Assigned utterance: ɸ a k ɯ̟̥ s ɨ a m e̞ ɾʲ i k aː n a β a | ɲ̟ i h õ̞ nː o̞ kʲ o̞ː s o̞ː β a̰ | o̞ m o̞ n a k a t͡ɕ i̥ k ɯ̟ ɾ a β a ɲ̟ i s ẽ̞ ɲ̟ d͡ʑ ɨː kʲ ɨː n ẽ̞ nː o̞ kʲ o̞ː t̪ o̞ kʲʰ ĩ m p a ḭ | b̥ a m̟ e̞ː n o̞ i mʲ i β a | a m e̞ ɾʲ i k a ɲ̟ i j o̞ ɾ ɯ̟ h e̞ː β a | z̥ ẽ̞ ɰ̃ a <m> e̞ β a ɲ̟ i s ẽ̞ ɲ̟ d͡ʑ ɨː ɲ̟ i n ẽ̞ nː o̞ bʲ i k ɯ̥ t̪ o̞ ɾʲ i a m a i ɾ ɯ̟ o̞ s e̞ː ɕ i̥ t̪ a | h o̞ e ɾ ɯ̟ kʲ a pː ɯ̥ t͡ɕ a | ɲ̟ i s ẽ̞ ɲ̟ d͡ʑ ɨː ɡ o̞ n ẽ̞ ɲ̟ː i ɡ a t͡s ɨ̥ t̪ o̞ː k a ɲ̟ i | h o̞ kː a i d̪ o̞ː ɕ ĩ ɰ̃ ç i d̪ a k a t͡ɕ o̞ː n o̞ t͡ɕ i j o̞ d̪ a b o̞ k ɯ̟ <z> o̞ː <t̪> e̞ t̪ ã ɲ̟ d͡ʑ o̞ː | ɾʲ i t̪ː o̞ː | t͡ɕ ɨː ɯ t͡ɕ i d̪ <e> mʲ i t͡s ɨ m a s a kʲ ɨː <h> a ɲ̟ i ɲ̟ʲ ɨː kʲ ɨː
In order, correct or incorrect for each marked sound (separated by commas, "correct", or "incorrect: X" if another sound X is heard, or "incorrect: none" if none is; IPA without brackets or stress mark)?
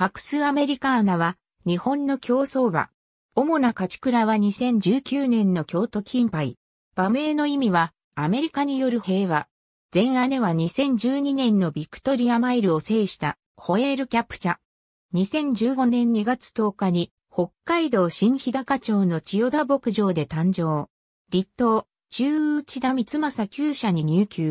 incorrect: n, incorrect: ʑ, incorrect: d̪, incorrect: a, incorrect: ɕ